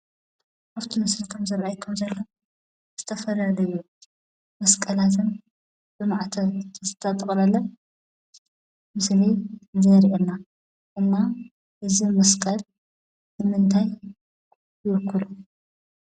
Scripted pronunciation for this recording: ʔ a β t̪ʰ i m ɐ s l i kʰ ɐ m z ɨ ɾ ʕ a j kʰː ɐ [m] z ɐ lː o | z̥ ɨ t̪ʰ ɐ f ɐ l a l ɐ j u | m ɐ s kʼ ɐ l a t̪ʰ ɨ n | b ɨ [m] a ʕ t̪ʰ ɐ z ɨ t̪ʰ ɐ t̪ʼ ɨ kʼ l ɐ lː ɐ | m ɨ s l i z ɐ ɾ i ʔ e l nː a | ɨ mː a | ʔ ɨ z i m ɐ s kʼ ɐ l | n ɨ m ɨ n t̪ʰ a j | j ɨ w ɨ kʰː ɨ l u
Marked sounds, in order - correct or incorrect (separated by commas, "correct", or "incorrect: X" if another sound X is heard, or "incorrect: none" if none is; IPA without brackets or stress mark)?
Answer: correct, correct